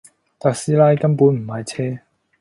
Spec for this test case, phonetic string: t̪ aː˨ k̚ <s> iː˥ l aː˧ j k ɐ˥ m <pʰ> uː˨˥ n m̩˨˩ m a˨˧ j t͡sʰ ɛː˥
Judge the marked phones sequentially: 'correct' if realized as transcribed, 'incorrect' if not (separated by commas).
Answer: correct, incorrect